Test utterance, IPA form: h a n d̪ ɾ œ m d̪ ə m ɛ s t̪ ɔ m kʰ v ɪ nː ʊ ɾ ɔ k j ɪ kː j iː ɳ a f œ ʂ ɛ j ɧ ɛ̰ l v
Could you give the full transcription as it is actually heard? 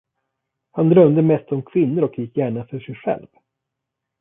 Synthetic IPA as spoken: h a n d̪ ɾ œ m d̪ ə m ɛ s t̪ ɔ m kʰ v ɪ nː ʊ ɾ ɔ k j ɪ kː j æː ɳ a f œ ʂ ɛ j ɧ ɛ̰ l v